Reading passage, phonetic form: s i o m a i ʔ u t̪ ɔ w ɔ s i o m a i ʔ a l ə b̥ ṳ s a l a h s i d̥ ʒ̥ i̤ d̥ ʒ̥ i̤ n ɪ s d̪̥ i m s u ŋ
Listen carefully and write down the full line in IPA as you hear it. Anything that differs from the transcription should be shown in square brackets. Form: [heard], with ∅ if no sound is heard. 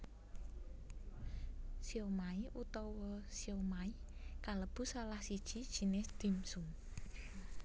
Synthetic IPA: s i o m a i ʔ u t̪ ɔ w ɔ s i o m a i [k] a l ə b̥ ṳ s a l a h s i d̥ ʒ̥ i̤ d̥ ʒ̥ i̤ n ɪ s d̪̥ i m s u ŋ